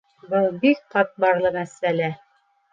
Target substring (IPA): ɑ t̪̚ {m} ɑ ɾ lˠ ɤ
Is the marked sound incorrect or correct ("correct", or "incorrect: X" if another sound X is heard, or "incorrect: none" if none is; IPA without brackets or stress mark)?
incorrect: b